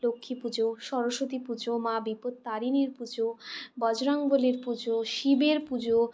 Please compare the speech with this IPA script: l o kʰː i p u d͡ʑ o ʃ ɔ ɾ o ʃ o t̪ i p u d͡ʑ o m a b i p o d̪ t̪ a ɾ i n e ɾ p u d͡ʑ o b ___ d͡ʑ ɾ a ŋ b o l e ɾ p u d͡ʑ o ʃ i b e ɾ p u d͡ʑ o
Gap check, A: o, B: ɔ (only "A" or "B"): B